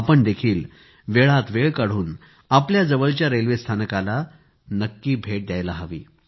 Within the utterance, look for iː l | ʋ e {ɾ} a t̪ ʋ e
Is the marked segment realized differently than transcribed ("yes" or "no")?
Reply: yes